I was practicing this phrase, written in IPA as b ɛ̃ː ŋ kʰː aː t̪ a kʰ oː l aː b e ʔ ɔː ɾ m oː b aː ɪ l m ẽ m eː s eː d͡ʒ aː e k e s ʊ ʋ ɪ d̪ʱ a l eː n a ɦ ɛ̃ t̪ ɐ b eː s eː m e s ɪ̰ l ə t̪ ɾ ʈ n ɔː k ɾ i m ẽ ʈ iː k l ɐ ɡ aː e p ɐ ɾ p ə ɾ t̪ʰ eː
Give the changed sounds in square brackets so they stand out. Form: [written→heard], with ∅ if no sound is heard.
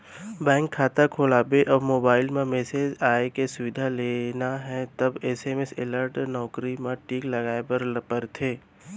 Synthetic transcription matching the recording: b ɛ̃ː ŋ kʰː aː t̪ a kʰ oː l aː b e ʔ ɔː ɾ m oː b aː ɪ l m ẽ m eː s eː d͡ʒ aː e k e s ʊ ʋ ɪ d̪ʱ a l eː n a ɦ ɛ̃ t̪ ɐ b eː s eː m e s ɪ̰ l ə [t̪→∅] ɾ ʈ n ɔː k ɾ i m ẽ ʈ iː k l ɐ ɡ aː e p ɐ ɾ p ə ɾ t̪ʰ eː